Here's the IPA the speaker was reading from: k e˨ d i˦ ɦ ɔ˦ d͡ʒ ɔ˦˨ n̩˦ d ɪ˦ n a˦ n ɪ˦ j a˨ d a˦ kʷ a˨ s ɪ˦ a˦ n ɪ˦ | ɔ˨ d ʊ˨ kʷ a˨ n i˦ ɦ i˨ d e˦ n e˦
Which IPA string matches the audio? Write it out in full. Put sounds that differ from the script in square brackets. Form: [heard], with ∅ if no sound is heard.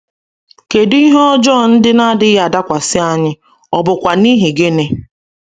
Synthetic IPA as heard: k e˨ d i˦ ɦ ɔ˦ d͡ʒ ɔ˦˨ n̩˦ d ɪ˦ n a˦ [d] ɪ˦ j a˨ d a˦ kʷ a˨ s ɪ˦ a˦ [ɲ] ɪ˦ | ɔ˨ [b] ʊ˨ kʷ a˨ n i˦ ɦ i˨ [ɡ] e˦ n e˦